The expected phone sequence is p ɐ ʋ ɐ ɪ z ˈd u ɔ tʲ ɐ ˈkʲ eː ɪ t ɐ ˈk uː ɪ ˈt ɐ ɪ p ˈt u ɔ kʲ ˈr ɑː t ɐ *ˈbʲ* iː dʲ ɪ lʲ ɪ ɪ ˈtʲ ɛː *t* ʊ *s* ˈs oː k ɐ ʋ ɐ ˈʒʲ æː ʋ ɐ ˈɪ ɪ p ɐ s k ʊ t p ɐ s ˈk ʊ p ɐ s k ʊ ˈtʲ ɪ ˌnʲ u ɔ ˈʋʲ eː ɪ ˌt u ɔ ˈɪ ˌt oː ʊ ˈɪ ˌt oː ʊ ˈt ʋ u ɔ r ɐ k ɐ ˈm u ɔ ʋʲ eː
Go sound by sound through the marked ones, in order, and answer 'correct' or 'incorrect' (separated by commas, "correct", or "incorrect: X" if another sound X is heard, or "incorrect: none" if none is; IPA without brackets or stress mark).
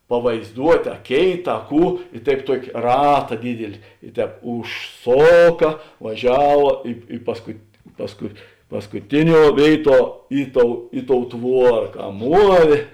incorrect: dʲ, incorrect: p, incorrect: ʃ